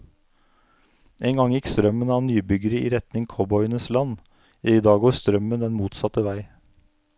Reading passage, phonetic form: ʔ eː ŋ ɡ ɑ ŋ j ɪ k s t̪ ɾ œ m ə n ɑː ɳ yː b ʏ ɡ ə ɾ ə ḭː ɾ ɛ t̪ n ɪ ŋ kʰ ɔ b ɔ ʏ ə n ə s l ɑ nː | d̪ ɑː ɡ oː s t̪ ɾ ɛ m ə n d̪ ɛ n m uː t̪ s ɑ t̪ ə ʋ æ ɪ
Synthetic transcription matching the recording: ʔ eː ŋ ɡ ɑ ŋ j ɪ k s t̪ ɾ œ m ə n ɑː n yː b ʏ ɡ ə ɾ ə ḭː ɾ ɛ t̪ n ɪ ŋ kʰ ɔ b ɔ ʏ ə n ə s l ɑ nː | d̪ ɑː ɡ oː s t̪ ɾ œ m ə n d̪ ɛ n m uː t̪ s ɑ t̪ ə ʋ æ ɪ